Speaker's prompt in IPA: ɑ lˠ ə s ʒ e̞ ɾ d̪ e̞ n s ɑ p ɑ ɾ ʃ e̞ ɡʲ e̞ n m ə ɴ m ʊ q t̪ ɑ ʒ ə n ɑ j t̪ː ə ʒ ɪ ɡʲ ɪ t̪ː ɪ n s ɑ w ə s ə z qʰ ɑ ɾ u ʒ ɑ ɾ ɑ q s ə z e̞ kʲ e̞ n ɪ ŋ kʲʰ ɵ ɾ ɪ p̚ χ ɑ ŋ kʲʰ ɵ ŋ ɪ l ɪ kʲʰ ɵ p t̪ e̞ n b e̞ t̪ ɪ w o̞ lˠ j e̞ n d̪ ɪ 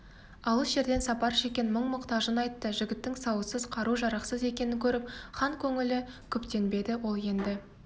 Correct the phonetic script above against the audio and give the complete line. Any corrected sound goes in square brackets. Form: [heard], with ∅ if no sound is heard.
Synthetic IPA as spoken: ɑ lˠ ə s ʒ e̞ ɾ d̪ e̞ n s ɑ p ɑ ɾ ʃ e̞ [kʲ] e̞ n m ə ɴ m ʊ q t̪ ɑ ʒ ə n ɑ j t̪ː ə ʒ ɪ ɡʲ ɪ t̪ː ɪ [ŋ] s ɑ w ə s ə z qʰ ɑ ɾ u ʒ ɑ ɾ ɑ q s ə z e̞ kʲ e̞ n ɪ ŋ kʲʰ ɵ ɾ ɪ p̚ χ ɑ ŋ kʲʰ ɵ ŋ ɪ l ɪ kʲʰ ɵ p t̪ e̞ n b e̞ [d̪] ɪ w o̞ lˠ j e̞ n d̪ ɪ

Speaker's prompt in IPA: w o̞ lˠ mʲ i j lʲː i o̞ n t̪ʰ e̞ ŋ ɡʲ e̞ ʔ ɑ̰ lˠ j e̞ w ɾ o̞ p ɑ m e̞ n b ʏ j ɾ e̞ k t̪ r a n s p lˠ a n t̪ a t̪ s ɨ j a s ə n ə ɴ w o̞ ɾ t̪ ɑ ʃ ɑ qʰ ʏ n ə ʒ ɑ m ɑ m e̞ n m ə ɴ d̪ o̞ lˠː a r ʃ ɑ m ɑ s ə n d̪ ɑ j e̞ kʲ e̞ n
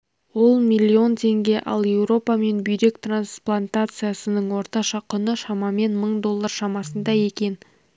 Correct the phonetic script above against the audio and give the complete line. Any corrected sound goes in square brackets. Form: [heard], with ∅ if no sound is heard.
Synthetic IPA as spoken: w o̞ lˠ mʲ i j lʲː i o̞ n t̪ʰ e̞ ŋ ɡʲ e̞ ʔ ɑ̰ lˠ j e̞ w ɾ o̞ p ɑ m e̞ n b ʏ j ɾ e̞ k t̪ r a n s p lˠ a n t̪ a t̪ s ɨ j a s ə n ə ɴ w o̞ ɾ t̪ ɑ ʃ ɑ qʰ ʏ n ə [ʃ] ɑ m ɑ m e̞ n m ə ɴ d̪ o̞ lˠː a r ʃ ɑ m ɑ s ə n d̪ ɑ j e̞ kʲ e̞ n

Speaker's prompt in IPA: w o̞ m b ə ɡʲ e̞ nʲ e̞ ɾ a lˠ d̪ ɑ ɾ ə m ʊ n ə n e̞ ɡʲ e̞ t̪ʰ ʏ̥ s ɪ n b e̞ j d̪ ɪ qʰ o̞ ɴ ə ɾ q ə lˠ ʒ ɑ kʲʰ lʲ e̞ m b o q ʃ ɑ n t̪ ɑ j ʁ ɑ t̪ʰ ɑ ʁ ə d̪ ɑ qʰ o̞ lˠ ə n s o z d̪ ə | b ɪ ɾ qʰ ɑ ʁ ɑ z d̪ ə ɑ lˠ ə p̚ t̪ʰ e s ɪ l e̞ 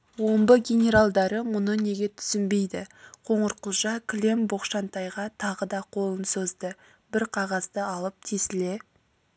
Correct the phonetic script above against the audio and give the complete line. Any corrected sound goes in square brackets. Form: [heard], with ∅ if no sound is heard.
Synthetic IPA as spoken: w o̞ m b ə ɡʲ e̞ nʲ e̞ ɾ a lˠ d̪ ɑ ɾ ə m ʊ n ə n e̞ ɡʲ e̞ t̪ʰ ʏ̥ s ɪ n b e̞ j d̪ ɪ qʰ o̞ ɴ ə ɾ q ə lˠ ʒ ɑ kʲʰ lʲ e̞ m b o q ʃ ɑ n t̪ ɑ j ʁ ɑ t̪ʰ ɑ ʁ ə d̪ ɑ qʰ o̞ lˠ ə n s o z d̪ ə | b ɪ ɾ qʰ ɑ ʁ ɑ z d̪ ə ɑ lˠ ə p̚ t̪ʰ e s ɪ l e̞

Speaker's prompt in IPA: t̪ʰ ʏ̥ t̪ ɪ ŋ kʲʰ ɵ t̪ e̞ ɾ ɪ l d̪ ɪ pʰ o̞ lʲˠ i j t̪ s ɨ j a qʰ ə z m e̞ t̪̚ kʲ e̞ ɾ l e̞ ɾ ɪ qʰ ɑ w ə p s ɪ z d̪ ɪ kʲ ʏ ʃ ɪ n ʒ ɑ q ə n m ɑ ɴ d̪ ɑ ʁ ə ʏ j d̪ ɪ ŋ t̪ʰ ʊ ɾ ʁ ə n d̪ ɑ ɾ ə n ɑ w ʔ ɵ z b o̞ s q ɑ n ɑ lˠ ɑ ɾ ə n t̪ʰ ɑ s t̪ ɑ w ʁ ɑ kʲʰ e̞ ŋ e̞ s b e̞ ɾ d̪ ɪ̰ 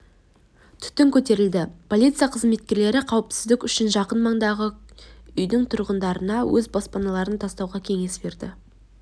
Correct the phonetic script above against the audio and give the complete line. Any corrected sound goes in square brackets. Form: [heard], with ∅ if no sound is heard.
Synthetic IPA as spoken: t̪ʰ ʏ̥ t̪ ɪ ŋ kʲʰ ɵ t̪ e̞ ɾ ɪ l d̪ ɪ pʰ o̞ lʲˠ i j t̪ s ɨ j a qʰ ə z m e̞ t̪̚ kʲ e̞ ɾ l e̞ ɾ ɪ qʰ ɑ w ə p s ɪ z d̪ ɪ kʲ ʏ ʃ ɪ n ʒ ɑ q ə n m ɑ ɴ d̪ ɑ ʁ ə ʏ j d̪ ɪ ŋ t̪ʰ ʊ ɾ ʁ ə n d̪ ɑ ɾ ə n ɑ w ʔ ɵ z b o̞ s [p] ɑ n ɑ lˠ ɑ ɾ ə n t̪ʰ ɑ s t̪ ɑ w ʁ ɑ kʲʰ e̞ ŋ e̞ s b e̞ ɾ d̪ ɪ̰

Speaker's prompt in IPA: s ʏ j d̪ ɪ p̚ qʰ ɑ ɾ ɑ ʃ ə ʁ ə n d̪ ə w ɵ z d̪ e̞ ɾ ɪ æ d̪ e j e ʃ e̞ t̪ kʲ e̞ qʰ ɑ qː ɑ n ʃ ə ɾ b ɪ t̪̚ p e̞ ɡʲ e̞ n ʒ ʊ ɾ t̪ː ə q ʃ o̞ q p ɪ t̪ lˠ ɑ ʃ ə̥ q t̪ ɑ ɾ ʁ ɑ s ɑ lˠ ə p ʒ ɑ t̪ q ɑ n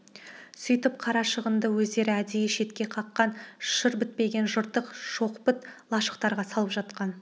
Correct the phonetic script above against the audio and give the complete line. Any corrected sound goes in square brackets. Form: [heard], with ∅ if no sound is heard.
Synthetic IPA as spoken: s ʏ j [t̪] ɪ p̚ qʰ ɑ ɾ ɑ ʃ ə ʁ ə n d̪ ə w ɵ z d̪ e̞ ɾ ɪ æ d̪ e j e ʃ e̞ t̪ kʲ e̞ qʰ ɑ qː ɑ n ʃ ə ɾ b ɪ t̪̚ p e̞ ɡʲ e̞ n ʒ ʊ ɾ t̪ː ə q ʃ o̞ q p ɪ t̪ lˠ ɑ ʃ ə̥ q t̪ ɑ ɾ ʁ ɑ s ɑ lˠ ə p ʒ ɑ t̪ q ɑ n

